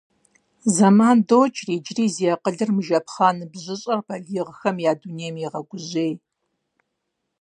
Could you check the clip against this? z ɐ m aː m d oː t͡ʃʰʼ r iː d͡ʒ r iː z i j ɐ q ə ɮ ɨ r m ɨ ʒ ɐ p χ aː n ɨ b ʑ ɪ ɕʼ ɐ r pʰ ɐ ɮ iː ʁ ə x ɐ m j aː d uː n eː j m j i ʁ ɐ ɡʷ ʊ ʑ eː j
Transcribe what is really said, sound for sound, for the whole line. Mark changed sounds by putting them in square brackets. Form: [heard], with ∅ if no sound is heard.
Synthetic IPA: z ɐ m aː [n] d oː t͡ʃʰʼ r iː d͡ʒ r iː z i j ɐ q ə ɮ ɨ r m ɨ ʒ ɐ p χ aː n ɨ b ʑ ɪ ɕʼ ɐ r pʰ ɐ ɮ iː ʁ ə x ɐ m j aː d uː n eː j m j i ʁ ɐ ɡʷ ʊ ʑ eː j